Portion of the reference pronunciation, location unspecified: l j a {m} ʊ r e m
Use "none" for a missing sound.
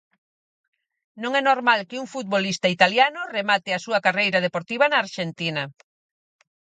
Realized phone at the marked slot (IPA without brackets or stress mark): n